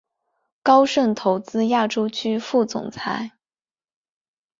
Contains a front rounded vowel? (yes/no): yes